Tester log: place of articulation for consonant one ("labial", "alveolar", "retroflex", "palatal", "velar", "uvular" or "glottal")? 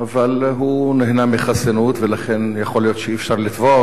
labial